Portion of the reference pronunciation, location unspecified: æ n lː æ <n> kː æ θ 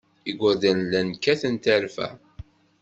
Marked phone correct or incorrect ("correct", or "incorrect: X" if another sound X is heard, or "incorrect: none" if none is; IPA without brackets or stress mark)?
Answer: correct